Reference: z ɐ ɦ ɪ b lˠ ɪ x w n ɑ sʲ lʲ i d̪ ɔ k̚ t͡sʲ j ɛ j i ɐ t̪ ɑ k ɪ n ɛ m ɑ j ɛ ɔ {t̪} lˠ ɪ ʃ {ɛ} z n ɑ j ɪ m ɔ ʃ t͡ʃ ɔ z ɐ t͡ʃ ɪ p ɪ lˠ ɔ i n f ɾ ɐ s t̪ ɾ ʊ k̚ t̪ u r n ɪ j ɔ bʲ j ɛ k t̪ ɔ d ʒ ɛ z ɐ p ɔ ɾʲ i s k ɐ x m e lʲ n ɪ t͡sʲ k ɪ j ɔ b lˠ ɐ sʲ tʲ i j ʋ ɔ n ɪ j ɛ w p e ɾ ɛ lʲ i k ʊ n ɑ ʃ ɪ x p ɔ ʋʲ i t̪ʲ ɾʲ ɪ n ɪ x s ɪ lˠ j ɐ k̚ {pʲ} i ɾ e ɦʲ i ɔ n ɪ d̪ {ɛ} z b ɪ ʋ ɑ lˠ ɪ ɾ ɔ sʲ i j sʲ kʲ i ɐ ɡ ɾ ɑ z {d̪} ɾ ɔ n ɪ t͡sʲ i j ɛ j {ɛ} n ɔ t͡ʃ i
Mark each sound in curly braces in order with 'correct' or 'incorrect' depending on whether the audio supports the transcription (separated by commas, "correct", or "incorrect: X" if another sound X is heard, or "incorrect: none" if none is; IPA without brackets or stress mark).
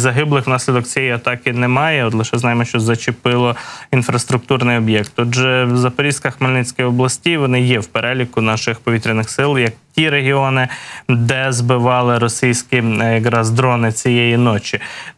correct, correct, incorrect: tʲ, correct, correct, incorrect: i